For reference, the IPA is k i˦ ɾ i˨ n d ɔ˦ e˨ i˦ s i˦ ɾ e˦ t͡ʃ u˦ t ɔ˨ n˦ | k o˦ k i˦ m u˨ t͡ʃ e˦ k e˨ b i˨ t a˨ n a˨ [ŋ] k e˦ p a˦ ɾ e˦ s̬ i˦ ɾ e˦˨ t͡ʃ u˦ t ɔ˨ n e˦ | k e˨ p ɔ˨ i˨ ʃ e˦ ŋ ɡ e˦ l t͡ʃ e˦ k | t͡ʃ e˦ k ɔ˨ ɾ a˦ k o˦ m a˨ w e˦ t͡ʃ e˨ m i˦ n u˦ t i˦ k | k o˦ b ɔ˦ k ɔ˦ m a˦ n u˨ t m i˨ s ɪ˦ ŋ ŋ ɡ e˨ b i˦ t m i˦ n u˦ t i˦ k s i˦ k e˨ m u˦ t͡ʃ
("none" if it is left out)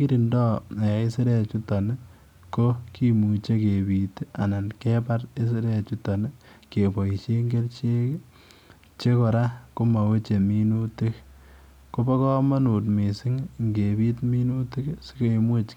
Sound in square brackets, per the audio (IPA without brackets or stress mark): n